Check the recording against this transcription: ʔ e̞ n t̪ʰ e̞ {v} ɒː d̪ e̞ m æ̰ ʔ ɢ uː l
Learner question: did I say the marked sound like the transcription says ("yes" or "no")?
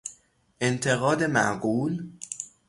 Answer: no